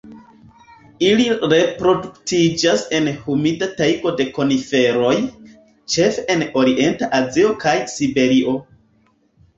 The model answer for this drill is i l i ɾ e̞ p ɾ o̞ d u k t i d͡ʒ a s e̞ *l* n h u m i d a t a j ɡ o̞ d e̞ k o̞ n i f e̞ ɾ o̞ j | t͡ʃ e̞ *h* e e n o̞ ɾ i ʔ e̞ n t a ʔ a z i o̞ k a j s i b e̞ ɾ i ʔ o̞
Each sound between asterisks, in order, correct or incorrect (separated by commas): incorrect, incorrect